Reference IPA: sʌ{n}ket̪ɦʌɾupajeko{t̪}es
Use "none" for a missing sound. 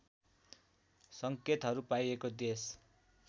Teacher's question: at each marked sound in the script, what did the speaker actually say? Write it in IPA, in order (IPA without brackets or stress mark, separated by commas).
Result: ŋ, d̪